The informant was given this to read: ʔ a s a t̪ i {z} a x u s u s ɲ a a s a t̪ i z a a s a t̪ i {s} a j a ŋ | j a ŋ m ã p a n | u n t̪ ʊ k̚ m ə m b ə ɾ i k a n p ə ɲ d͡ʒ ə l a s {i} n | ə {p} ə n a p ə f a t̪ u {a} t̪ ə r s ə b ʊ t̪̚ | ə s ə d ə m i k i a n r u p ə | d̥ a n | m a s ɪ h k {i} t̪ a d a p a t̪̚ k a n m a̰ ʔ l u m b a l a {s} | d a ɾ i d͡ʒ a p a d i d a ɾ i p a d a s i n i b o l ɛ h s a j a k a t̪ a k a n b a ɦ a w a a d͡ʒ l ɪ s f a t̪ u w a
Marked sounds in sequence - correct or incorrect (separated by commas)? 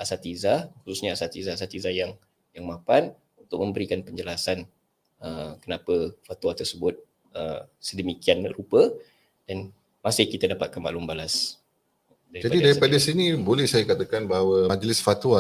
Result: correct, incorrect, incorrect, incorrect, correct, correct, correct